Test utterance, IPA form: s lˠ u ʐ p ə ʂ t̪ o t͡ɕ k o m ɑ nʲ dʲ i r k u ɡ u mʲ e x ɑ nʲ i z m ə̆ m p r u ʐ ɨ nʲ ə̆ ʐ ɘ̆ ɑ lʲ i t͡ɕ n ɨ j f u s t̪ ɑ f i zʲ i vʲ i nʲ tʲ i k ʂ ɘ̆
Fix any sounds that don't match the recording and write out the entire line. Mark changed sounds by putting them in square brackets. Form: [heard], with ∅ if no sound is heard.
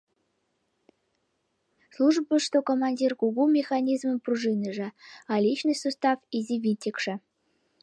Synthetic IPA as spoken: s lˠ u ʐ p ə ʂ t̪ o [∅] k o m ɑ nʲ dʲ i r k u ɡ u mʲ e x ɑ nʲ i z m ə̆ m p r u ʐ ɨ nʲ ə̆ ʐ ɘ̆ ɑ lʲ i t͡ɕ n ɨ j [s] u s t̪ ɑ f i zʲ i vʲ i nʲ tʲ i k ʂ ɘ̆